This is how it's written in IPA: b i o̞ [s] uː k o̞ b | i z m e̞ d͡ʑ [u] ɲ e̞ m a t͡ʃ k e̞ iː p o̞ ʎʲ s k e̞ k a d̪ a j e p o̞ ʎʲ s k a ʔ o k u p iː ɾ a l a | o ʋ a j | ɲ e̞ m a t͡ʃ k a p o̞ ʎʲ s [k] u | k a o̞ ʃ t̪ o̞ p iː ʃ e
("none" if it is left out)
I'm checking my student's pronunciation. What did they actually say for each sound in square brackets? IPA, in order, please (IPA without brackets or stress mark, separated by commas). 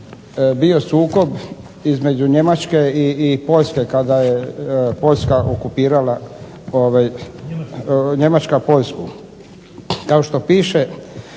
s, u, k